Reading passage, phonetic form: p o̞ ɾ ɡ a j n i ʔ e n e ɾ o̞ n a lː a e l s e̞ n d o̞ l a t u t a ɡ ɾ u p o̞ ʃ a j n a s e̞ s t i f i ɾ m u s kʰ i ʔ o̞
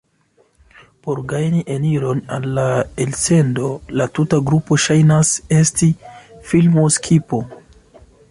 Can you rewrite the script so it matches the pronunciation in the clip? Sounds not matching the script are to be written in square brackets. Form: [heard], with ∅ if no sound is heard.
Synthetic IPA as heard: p o̞ ɾ ɡ a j n i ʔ e n [i] ɾ o̞ n a lː a e l s e̞ n d o̞ l a t u t a ɡ ɾ u p o̞ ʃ a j n a s e̞ s t i f i [l] m [o] s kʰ i [p] o̞

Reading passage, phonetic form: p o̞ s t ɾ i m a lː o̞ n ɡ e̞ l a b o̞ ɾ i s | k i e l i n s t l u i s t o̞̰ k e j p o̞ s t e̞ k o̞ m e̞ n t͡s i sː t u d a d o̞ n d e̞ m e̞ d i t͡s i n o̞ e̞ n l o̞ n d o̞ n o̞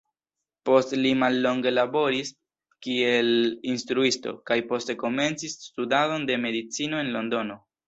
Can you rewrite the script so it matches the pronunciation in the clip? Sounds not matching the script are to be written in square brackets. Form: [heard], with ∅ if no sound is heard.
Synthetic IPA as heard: p o̞ s t [l] i m a lː o̞ [ŋ] ɡ e̞ l a b o̞ ɾ i s | k i e l i n s t [ɾ] u i s t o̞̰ k [a] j p o̞ s t e̞ k o̞ m e̞ n t͡s i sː t u d a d o̞ n d e̞ m e̞ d i t͡s i n o̞ e̞ n l o̞ n d o̞ n o̞

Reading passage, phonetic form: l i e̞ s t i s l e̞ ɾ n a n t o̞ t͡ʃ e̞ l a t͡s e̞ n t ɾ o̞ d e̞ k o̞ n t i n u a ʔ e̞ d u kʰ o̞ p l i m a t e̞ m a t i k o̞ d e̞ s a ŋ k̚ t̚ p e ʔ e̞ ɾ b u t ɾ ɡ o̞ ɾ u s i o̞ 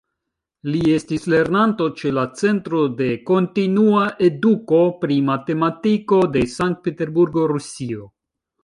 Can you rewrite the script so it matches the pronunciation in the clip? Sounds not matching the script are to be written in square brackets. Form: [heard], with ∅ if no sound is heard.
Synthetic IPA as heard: l i e̞ s t i s l e̞ ɾ n a n t o̞ t͡ʃ e̞ l a t͡s e̞ n t ɾ o̞ d e̞ k o̞ n t i n u a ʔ e̞ d u [k] o̞ p [ɾ] i m a t e̞ m a t i k o̞ d e̞ s a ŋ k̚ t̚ p e [t] e̞ ɾ b u [∅] ɾ ɡ o̞ ɾ u s i o̞

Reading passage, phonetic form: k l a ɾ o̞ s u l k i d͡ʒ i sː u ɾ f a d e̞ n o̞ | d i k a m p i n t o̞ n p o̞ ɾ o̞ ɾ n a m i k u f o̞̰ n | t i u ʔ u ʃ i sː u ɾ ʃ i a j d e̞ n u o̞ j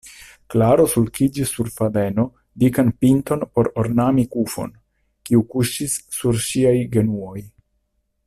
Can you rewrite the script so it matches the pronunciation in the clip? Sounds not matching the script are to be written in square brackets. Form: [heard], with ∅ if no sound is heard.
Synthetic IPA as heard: k l a ɾ o̞ s u l k i d͡ʒ i sː u ɾ f a d e̞ n o̞ | d i k a [n] p i n t o̞ n p o̞ ɾ o̞ ɾ n a m i k u f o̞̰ n | [k] i u [k] u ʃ i sː u ɾ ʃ i a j [ɡ] e̞ n u o̞ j

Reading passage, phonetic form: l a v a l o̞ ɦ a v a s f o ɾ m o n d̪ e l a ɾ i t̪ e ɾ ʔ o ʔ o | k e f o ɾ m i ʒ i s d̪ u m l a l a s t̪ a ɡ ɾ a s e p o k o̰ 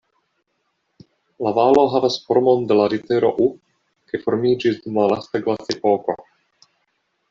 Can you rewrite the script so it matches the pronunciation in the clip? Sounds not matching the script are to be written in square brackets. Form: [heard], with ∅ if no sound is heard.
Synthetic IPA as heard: l a v a l o̞ ɦ a v a s f o ɾ m o n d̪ e l a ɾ i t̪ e ɾ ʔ o ʔ [u] | k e f o ɾ m i [d͡ʒ] i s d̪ u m l a l a s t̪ a ɡ [l] a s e p o k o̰

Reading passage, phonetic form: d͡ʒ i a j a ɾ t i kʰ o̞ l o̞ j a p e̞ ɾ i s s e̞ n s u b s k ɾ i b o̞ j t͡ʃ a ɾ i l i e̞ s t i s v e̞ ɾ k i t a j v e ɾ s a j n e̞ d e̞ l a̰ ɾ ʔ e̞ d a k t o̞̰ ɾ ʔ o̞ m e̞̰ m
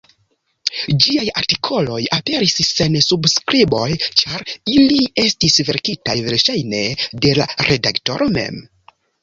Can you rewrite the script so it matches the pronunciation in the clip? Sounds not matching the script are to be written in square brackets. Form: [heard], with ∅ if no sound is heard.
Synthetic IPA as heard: d͡ʒ i a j a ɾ t i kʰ o̞ l o̞ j a p e̞ ɾ i s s e̞ n s u b s k ɾ i b o̞ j t͡ʃ a ɾ i l i e̞ s t i s v e̞ ɾ k i t a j v e ɾ [ʃ] a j n e̞ d e̞ l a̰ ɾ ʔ e̞ d a k t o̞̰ ɾ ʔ o̞ m e̞̰ m

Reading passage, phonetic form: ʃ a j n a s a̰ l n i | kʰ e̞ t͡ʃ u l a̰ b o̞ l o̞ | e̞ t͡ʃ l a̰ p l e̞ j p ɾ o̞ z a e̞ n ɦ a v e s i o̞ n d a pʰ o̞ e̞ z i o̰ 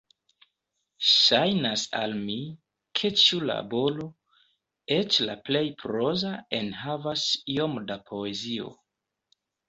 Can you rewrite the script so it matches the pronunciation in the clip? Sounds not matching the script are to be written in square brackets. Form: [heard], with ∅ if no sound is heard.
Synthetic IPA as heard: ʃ a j n a s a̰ l [m] i | kʰ e̞ t͡ʃ u l a̰ b o̞ l o̞ | e̞ t͡ʃ l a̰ p l e̞ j p ɾ o̞ z a e̞ n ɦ a v [a] s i o̞ [m] d a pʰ o̞ e̞ z i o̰

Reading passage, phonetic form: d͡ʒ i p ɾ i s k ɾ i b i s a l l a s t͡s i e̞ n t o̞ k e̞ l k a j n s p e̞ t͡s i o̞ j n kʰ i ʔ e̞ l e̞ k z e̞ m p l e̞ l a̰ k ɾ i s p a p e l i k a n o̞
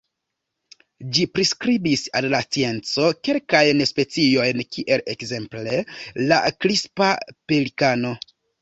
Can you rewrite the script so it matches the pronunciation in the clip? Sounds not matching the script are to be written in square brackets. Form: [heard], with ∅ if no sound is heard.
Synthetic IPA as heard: d͡ʒ i p ɾ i s k ɾ i b i s a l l a s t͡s i e̞ n [t͡s] o̞ k e̞ l k a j n s p e̞ t͡s i o̞ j n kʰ i ʔ e̞ l e̞ k z e̞ m p l e̞ l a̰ k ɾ i s p a p e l i k a n o̞

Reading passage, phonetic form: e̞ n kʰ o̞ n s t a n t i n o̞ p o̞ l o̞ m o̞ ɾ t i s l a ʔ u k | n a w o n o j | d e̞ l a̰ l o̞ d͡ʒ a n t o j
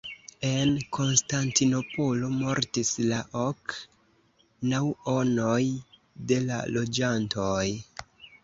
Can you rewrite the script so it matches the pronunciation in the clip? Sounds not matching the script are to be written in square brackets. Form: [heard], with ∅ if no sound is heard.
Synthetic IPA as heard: e̞ n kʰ o̞ n s t a n t i n o̞ p o̞ l o̞ m o̞ ɾ t i s l a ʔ [o] k | n a w o n o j | d e̞ l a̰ l o̞ d͡ʒ a n t o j

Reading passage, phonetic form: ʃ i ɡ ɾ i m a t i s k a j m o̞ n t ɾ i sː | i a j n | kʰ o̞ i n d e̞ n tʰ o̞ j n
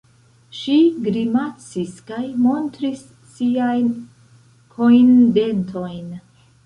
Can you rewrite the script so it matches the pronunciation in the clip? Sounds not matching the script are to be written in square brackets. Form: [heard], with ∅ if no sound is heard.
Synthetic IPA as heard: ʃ i ɡ ɾ i m a [t͡s] i s k a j m o̞ n t ɾ i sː | i a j n | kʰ o̞ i n d e̞ n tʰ o̞ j n

